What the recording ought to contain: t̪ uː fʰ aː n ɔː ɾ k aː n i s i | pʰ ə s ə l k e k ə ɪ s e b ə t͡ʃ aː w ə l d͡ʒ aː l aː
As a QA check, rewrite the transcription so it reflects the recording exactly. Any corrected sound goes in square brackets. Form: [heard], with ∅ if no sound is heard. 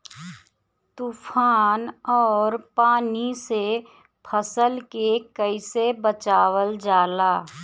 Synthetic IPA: t̪ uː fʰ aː n ɔː ɾ [p] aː n i s [e] | pʰ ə s ə l k e k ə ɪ s e b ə t͡ʃ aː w ə l d͡ʒ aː l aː